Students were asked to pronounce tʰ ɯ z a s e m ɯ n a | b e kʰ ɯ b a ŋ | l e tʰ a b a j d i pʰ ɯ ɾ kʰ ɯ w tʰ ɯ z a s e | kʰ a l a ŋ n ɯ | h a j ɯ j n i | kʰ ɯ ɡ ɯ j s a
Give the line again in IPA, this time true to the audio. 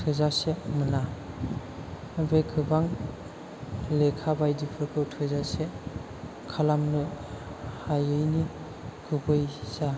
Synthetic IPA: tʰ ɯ z a s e m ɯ n a | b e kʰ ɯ b a ŋ | l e kʰ a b a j d i pʰ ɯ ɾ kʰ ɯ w tʰ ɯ z a s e | kʰ a l a m n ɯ | h a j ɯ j n i | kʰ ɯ b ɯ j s a